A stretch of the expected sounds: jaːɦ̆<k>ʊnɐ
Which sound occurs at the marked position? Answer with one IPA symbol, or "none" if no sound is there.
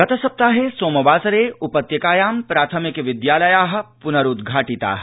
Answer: p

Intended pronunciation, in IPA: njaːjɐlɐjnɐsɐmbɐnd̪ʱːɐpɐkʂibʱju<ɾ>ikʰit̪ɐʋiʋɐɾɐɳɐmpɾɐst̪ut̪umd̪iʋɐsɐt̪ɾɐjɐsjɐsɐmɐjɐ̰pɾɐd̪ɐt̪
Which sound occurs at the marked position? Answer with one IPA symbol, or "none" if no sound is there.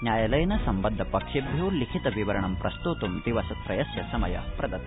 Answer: l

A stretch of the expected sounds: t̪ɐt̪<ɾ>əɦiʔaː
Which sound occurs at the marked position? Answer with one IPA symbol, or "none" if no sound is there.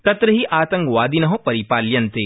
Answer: ɾ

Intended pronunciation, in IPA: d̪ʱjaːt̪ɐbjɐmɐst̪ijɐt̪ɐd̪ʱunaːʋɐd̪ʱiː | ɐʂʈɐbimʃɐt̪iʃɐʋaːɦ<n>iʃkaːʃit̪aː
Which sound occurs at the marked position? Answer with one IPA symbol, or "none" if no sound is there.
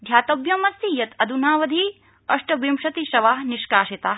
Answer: n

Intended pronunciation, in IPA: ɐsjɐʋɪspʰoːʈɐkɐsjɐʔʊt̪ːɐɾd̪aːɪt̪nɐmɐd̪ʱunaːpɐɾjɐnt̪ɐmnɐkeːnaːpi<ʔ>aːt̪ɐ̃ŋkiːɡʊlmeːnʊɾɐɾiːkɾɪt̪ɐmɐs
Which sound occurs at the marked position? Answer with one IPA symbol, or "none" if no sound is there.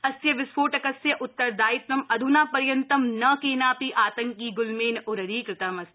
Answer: ʔ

